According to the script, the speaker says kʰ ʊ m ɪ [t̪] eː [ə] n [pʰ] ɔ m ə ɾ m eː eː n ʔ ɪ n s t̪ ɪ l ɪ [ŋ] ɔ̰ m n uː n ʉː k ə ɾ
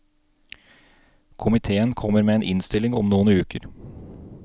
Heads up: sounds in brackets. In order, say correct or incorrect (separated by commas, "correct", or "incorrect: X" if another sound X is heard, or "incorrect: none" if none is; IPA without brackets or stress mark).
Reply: incorrect: t̪ʰ, correct, incorrect: kʰ, correct